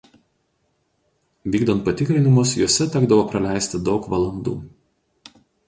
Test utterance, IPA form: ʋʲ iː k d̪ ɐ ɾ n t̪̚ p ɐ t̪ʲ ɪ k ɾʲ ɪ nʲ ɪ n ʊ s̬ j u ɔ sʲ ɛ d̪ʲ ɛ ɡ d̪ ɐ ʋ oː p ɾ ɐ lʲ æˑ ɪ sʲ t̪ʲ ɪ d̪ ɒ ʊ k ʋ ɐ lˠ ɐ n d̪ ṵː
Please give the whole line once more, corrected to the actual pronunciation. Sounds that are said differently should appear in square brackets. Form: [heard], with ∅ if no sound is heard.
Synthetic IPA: ʋʲ iː [ɡ] d̪ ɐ [∅] n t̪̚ p ɐ t̪ʲ ɪ k ɾʲ ɪ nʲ ɪ [m] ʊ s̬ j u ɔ sʲ ɛ [t̪ʲ] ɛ ɡ d̪ ɐ ʋ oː p ɾ ɐ lʲ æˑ ɪ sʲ t̪ʲ ɪ d̪ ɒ ʊ k ʋ ɐ lˠ ɐ n d̪ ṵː